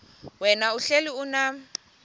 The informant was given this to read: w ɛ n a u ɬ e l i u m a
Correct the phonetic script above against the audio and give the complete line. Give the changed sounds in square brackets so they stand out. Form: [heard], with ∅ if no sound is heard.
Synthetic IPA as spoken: w ɛ n a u ɬ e l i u [n] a